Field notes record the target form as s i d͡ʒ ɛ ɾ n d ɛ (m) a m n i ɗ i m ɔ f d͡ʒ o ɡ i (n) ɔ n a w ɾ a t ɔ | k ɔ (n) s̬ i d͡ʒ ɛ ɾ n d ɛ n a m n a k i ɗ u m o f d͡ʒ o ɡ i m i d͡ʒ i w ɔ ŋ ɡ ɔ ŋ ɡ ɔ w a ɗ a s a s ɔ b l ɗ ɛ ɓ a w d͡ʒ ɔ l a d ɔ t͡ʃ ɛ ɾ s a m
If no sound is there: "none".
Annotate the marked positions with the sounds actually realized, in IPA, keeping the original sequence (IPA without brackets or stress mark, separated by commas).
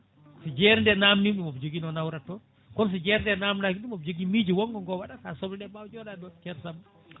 n, n, n